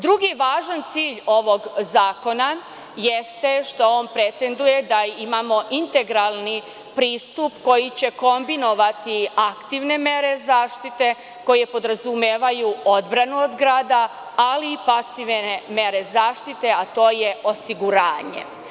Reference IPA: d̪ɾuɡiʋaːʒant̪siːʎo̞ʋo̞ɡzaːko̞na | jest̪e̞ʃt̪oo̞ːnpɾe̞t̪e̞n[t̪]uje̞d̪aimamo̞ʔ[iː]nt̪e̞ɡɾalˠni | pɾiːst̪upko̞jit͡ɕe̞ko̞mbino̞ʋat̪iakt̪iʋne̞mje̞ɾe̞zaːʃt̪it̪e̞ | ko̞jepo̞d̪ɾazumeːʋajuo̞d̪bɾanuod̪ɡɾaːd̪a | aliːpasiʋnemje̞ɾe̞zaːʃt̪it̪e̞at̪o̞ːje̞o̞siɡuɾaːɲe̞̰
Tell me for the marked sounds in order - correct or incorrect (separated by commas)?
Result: incorrect, incorrect